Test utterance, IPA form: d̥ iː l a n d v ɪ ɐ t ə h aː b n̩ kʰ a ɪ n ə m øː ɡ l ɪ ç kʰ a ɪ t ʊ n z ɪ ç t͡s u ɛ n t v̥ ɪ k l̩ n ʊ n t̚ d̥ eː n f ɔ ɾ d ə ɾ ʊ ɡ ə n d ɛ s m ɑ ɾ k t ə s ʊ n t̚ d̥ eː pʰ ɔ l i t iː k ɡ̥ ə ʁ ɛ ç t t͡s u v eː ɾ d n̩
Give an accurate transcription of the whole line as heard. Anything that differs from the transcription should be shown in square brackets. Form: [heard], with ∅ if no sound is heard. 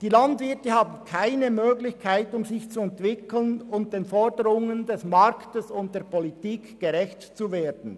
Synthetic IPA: d̥ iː l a n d v ɪ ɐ t ə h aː b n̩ kʰ a ɪ n ə m øː ɡ l ɪ ç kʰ a ɪ t ʊ [m] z ɪ ç t͡s u ɛ n t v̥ ɪ k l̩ n ʊ n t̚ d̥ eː n f ɔ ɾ d ə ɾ ʊ [ŋ] ə n d ɛ s m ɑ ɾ k t ə s ʊ n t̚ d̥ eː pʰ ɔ l i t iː k ɡ̥ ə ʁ ɛ ç t t͡s u v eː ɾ d n̩

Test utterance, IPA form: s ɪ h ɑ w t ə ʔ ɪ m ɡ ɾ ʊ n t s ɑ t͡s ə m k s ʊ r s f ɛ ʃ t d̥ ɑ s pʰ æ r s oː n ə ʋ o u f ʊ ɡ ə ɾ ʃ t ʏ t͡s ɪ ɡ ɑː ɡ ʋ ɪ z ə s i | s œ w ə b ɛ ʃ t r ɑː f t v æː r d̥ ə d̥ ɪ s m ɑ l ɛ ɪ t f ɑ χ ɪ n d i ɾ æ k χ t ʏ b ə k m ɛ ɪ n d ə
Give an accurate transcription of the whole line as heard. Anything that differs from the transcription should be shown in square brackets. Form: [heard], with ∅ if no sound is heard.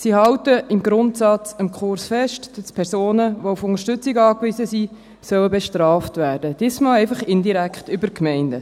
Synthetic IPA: s [i] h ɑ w t ə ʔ ɪ m ɡ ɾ ʊ n t s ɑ t͡s ə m k [χ] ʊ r s f ɛ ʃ t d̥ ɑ s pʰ [ɛ] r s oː n ə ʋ o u f ʊ [ŋ] ə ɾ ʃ t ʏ t͡s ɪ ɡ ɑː [k] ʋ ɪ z ə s i | s œ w ə b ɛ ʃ t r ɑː f t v æː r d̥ ə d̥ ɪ s m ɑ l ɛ ɪ [∅] f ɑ χ ɪ n d i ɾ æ k χ t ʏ b ə k m ɛ ɪ n d ə

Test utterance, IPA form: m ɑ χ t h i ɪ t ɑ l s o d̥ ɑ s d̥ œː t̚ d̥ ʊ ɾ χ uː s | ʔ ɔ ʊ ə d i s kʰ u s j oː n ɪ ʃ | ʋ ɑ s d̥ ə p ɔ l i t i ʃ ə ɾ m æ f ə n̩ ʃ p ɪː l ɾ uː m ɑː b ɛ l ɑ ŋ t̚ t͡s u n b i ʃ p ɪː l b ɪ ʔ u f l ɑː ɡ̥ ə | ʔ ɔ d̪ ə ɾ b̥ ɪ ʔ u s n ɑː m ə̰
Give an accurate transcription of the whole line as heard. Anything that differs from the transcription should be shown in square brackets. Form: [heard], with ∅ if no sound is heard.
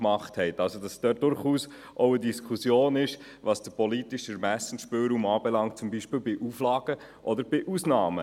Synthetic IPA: m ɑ χ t h [ɛ] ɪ t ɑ l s o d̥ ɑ s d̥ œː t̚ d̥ ʊ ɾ χ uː s | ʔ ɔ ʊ ə d i s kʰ u s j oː n ɪ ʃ | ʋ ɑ s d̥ ə p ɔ l i t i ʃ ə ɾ m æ [s] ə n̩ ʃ p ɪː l ɾ uː m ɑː b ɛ l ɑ ŋ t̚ t͡s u [m] b i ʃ p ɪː l b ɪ ʔ u f l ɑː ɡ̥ ə | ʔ ɔ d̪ ə ɾ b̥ ɪ ʔ u s n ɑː m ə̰

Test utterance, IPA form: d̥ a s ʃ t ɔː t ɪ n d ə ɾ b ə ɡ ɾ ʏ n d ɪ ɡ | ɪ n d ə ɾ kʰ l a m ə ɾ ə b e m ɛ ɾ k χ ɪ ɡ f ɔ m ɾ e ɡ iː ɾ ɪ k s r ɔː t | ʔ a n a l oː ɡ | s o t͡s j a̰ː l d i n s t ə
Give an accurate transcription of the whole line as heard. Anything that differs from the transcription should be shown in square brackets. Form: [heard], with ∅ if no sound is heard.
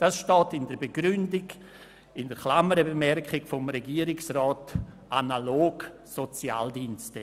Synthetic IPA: d̥ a s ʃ t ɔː t ɪ n d ə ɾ b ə ɡ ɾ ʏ n d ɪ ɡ | ɪ n d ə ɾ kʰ l a m ə ɾ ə b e m ɛ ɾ k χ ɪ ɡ f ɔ m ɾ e ɡ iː ɾ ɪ k s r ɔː t | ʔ a n a l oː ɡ | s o t͡s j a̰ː l d i n s t ə

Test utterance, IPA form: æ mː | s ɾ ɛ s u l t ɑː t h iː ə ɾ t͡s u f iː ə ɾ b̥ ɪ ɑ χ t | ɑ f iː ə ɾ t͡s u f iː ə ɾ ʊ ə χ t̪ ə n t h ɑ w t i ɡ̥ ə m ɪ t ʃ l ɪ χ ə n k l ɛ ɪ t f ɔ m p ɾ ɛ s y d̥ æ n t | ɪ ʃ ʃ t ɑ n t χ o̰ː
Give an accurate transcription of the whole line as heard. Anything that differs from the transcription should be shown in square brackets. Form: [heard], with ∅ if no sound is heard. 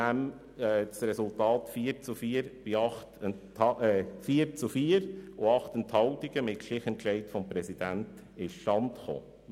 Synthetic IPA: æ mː | s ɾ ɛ s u l t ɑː t [f] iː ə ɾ t͡s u f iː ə ɾ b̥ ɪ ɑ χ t | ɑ f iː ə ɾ t͡s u f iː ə ɾ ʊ [ɑ] χ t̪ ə n t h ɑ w t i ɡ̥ ə m ɪ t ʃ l ɪ χ ə n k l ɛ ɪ t f ɔ m p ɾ ɛ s [i] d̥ æ n t | ɪ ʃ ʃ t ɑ n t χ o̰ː

